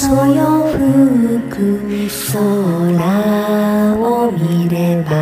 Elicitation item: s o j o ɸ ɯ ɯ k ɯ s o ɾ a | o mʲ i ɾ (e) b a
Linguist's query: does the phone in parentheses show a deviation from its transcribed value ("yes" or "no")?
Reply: no